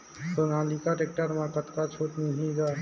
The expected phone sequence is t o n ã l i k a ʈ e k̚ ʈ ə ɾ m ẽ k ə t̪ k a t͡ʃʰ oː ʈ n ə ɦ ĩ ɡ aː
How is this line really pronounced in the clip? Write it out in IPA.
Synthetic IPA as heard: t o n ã l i k a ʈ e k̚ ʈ ə ɾ m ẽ k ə t̪ k a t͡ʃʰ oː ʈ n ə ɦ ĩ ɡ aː